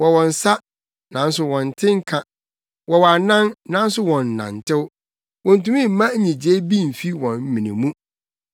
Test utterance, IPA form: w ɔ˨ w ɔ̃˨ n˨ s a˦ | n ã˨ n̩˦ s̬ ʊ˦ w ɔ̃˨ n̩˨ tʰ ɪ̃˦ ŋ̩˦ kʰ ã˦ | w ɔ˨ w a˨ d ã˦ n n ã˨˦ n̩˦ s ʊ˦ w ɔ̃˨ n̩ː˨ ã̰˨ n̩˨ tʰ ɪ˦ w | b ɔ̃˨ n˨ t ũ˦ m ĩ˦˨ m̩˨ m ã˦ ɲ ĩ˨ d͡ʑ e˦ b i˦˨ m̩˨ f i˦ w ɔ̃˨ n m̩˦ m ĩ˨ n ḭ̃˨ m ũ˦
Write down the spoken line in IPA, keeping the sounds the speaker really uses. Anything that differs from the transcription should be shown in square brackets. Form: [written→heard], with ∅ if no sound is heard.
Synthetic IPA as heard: w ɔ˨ w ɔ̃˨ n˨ s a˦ | n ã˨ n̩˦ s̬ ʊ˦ w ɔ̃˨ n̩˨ tʰ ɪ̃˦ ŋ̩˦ kʰ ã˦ | w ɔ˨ w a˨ [d→n] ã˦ n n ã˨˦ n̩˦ s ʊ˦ w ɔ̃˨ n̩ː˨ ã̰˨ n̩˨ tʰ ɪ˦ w | [b→w] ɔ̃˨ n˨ t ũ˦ m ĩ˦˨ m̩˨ m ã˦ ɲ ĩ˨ d͡ʑ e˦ b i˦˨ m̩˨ f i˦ w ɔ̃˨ n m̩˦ m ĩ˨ n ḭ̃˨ m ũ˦